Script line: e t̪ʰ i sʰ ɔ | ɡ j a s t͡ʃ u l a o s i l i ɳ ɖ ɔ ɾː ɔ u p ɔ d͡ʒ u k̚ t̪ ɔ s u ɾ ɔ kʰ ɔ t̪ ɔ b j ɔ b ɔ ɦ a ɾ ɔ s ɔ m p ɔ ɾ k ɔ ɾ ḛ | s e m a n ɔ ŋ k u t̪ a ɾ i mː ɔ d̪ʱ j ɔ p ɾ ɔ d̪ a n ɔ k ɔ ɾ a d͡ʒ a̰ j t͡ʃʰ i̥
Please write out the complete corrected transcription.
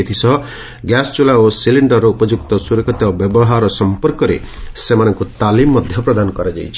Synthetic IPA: e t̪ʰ i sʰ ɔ | ɡ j a s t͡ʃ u l a o s i l i ɳ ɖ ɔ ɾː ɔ u p ɔ d͡ʒ u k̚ t̪ ɔ s u ɾ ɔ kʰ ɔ t̪ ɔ b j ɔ b ɔ ɦ a ɾ ɔ s ɔ m p ɔ ɾ k ɔ ɾ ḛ | s e m a n ɔ ŋ k u t̪ a l i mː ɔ d̪ʱ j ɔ p ɾ ɔ d̪ a n ɔ k ɔ ɾ a d͡ʒ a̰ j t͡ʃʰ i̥